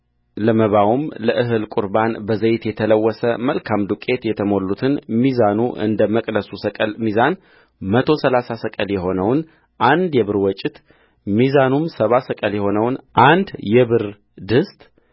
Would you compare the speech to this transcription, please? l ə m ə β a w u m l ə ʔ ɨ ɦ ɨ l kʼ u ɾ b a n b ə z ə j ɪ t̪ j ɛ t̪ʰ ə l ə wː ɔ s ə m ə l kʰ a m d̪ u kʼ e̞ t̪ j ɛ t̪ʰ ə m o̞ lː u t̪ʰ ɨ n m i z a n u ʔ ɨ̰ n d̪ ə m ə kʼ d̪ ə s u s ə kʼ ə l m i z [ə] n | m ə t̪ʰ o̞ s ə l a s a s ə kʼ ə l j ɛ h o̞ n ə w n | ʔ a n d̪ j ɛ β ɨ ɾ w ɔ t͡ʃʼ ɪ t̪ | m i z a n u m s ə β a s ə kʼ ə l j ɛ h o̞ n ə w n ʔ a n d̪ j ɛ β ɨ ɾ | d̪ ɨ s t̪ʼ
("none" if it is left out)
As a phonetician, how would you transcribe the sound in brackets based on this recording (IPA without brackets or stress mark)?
a